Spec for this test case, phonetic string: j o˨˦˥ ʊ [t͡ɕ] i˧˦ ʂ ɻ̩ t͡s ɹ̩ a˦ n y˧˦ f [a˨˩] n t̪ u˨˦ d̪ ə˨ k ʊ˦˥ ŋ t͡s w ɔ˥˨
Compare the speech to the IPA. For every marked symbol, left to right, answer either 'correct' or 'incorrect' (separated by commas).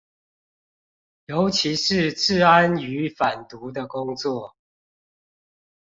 incorrect, correct